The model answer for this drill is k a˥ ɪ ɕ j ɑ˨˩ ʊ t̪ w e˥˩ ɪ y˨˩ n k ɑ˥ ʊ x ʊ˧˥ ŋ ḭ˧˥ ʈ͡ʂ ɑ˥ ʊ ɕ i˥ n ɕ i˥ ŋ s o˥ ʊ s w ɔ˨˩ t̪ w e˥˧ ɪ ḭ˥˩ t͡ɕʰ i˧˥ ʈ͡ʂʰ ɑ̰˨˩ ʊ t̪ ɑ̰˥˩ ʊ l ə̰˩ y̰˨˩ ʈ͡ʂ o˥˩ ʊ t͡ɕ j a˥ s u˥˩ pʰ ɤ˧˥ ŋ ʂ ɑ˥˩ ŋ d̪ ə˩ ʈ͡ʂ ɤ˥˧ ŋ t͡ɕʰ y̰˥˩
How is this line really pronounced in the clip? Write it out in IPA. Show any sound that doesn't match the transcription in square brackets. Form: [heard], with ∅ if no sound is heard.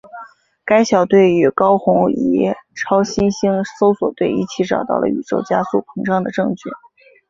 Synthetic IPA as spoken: k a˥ ɪ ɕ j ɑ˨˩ ʊ t̪ w e˥˩ ɪ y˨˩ [∅] k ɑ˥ ʊ x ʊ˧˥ ŋ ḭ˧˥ [ʈ͡ʂʰ] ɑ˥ ʊ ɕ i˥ n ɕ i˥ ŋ s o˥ ʊ s w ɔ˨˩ t̪ w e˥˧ ɪ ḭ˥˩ t͡ɕʰ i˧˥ [ʈ͡ʂ] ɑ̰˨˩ ʊ t̪ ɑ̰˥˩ ʊ l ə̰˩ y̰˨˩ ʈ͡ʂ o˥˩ ʊ t͡ɕ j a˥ s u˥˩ pʰ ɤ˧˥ ŋ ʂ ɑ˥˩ ŋ d̪ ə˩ ʈ͡ʂ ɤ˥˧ ŋ t͡ɕʰ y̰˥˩